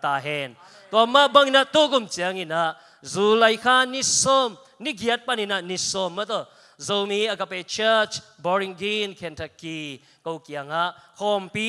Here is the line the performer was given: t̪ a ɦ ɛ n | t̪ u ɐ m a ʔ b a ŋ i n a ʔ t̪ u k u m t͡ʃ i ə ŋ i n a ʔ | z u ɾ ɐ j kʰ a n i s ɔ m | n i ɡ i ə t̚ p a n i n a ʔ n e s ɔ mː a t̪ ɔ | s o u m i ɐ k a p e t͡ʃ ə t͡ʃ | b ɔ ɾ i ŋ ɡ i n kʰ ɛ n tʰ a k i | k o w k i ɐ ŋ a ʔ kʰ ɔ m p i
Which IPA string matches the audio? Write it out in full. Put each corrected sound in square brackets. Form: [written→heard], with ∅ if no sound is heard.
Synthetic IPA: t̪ a ɦ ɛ n | t̪ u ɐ m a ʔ b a ŋ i n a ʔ t̪ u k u m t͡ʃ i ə ŋ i n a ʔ | z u [ɾ→l] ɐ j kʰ a n i s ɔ m | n i ɡ i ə t̚ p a n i n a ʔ n [e→i] s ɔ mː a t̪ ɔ | [s→z] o [u→w] m i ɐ k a p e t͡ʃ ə t͡ʃ | b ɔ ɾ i ŋ ɡ i n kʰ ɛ n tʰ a k i | k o w k i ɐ ŋ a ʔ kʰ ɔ m p i